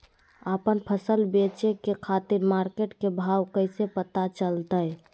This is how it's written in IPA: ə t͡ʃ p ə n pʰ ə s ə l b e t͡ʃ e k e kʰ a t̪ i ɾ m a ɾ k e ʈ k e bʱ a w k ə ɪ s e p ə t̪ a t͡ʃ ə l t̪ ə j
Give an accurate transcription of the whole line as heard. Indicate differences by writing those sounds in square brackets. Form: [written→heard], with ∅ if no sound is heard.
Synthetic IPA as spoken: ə [t͡ʃ→∅] p ə n pʰ ə s ə l b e t͡ʃ e k e kʰ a t̪ i ɾ m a ɾ k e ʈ k e bʱ a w k ə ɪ s e p ə t̪ a t͡ʃ ə l t̪ ə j